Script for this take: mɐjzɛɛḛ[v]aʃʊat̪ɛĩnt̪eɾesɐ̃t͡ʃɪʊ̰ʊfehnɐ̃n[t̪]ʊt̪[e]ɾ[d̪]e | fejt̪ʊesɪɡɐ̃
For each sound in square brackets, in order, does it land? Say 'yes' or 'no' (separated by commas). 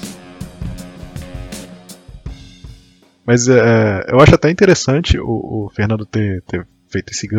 no, no, yes, no